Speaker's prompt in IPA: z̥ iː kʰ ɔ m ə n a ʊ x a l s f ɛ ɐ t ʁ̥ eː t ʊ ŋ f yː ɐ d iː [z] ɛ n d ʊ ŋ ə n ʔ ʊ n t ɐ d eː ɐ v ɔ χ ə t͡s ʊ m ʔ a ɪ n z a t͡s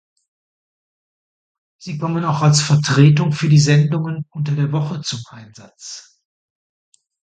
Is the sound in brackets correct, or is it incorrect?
correct